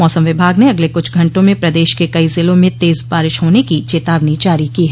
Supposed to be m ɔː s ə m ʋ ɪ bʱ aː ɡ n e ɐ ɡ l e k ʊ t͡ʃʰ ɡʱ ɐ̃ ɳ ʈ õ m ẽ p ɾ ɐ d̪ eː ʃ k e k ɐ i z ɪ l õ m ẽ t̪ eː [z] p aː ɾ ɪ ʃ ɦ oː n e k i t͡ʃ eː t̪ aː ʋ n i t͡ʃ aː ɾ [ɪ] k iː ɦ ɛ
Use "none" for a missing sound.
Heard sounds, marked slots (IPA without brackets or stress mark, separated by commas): z, i